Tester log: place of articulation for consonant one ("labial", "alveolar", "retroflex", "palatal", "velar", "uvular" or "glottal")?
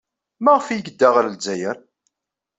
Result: labial